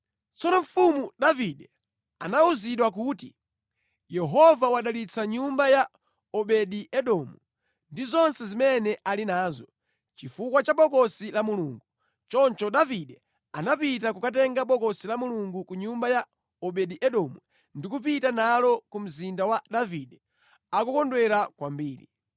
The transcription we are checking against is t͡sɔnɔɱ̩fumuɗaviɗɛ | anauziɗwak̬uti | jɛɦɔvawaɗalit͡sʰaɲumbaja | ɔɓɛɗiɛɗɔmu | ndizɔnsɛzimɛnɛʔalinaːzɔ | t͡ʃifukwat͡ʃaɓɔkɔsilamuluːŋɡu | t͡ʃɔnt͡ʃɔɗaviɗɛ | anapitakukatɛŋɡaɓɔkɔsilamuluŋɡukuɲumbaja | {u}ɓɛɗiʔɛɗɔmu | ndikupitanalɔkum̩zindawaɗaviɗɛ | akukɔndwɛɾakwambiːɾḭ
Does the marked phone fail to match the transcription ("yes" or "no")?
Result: yes